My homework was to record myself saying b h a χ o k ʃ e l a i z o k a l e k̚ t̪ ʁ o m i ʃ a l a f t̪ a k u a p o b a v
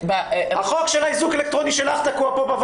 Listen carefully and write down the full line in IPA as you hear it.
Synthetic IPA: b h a χ o k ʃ e l a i z u k e l e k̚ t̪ ʁ o n i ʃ e l a χ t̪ a k u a p o b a v